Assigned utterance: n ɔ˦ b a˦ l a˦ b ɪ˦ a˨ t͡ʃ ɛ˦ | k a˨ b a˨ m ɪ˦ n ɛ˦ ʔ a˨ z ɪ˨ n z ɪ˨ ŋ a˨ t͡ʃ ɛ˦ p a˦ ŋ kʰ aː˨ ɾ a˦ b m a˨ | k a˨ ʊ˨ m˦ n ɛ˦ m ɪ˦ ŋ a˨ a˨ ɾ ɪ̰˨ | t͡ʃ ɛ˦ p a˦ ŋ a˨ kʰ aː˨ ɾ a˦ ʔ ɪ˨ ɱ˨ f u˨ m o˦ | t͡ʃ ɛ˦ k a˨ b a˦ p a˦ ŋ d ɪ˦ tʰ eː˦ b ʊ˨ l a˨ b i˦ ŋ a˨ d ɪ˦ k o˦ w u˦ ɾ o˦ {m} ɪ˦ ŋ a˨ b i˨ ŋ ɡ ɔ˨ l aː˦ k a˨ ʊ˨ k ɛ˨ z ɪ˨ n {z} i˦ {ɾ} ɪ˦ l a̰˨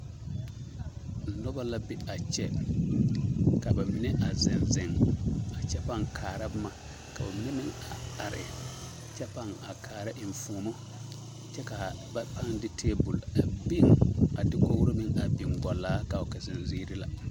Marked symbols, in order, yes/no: yes, yes, yes

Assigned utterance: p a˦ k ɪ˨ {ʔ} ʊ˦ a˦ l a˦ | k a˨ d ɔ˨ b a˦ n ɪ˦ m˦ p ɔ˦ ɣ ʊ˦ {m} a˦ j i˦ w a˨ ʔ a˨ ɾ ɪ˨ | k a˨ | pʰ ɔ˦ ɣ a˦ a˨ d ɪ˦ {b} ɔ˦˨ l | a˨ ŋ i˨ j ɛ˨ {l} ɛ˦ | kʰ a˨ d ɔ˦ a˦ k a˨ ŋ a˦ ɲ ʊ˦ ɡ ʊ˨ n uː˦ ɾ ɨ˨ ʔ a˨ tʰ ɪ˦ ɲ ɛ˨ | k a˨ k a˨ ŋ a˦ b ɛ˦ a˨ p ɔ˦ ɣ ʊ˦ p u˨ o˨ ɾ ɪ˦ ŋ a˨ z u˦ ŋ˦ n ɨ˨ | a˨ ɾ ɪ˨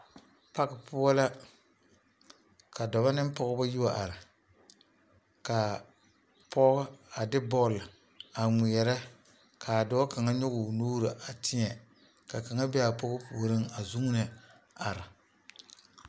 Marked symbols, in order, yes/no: no, no, yes, no

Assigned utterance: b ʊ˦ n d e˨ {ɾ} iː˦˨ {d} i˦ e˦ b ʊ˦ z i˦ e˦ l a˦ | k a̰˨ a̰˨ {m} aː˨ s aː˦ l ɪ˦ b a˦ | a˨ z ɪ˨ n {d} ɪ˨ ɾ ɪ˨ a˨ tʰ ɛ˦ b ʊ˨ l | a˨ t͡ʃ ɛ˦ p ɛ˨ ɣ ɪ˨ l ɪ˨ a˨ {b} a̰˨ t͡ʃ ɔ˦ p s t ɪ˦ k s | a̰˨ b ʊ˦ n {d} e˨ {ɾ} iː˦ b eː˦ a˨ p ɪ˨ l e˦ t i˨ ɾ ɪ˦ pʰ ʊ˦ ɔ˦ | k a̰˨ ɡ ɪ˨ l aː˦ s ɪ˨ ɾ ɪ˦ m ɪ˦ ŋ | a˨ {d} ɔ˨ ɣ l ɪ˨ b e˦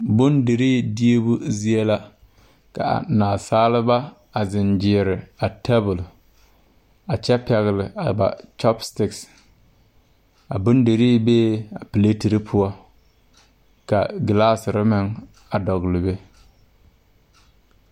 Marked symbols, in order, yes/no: yes, yes, no, no, yes, yes, yes, yes

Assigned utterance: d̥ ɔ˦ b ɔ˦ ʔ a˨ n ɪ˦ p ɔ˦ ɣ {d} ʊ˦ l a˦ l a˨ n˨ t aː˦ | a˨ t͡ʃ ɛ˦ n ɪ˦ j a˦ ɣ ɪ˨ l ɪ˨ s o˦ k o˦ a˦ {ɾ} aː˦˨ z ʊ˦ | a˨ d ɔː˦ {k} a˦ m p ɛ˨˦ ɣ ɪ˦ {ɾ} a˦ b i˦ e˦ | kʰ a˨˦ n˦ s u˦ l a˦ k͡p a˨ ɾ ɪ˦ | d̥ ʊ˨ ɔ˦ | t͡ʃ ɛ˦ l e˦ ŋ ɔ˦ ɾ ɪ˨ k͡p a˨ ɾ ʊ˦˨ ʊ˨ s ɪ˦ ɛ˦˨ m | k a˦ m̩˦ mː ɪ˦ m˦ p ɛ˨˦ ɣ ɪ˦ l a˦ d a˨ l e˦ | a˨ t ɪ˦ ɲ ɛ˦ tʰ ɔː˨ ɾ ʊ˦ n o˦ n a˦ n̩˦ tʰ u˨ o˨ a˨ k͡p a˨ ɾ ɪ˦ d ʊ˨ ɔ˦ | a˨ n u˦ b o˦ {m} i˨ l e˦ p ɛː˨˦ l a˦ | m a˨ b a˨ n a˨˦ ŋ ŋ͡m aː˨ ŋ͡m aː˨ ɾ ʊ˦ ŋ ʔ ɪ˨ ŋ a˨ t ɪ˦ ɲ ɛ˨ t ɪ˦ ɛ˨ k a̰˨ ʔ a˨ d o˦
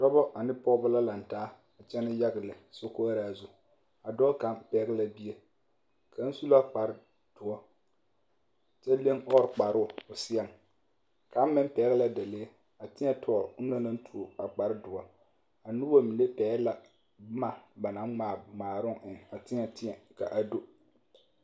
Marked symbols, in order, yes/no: no, yes, yes, no, yes

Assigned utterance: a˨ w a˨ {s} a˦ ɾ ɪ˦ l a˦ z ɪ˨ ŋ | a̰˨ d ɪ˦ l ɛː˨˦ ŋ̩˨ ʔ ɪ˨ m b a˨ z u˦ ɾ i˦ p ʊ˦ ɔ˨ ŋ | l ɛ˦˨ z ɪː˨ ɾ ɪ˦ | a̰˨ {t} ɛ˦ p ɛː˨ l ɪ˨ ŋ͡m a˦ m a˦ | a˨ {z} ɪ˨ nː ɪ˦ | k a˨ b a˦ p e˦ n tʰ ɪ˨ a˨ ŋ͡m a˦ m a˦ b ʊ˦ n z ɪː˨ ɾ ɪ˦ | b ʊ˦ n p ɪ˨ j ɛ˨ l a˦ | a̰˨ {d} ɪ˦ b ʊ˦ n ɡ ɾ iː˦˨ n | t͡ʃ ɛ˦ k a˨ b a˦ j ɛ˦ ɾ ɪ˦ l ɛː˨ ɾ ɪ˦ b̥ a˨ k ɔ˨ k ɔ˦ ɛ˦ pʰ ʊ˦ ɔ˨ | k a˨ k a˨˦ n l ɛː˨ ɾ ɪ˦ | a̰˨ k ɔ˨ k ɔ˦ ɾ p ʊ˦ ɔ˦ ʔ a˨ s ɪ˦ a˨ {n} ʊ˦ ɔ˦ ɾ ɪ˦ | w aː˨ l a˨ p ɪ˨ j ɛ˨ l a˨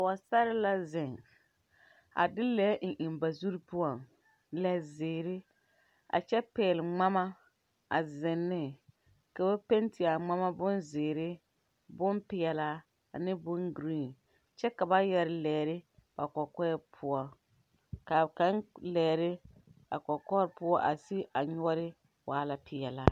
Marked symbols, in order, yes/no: yes, no, yes, no, no

